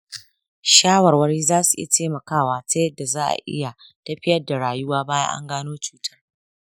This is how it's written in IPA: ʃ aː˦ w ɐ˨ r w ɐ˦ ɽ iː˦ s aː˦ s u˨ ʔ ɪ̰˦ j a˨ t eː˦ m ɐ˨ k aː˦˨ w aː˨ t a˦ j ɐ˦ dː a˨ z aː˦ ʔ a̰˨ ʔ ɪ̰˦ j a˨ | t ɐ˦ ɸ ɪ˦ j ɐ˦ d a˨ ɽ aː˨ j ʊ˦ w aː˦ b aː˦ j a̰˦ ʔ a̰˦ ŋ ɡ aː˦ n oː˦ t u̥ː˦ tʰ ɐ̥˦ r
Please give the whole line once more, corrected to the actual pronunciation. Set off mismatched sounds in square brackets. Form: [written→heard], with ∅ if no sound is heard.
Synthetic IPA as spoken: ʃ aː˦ w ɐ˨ r w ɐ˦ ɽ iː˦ [s→z] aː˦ s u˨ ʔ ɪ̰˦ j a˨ t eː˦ m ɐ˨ k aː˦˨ w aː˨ t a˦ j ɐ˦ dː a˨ z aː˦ ʔ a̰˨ ʔ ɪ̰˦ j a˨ | t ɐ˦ ɸ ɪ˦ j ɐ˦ d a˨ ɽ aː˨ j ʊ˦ w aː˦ b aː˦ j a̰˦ ʔ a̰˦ ŋ ɡ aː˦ n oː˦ [t→t͡ʃ] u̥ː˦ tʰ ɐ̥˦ r